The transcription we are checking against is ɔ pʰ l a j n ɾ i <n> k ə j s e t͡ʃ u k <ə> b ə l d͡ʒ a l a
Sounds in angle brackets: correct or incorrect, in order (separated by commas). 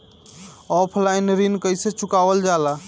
correct, incorrect